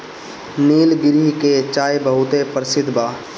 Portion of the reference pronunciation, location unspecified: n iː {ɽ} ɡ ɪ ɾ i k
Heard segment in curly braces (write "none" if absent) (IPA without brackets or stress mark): l